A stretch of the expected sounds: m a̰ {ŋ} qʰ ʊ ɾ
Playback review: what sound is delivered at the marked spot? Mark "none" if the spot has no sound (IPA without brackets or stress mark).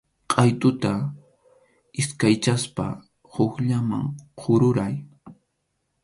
ŋ